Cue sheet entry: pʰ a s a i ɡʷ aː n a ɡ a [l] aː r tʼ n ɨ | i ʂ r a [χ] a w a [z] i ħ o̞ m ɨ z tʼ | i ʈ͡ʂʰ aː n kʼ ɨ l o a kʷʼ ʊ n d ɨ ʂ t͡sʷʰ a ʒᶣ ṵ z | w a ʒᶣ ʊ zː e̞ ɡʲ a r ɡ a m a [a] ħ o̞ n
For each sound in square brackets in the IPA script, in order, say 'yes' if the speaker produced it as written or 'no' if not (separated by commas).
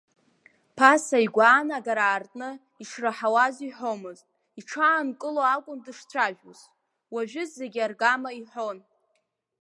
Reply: no, no, yes, no